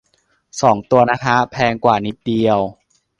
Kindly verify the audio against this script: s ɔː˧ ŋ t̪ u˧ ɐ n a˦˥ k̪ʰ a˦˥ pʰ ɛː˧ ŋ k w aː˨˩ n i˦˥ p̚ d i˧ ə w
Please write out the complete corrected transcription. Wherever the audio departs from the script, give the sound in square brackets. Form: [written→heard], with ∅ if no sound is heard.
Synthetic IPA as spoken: s [ɔː˧→ɔː˩˦] ŋ t̪ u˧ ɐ n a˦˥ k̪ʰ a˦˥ pʰ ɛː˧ ŋ k w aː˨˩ n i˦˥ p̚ d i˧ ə w